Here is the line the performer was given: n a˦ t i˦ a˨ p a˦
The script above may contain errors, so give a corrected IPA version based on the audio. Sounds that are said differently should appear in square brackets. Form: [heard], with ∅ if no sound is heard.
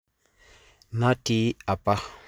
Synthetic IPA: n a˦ t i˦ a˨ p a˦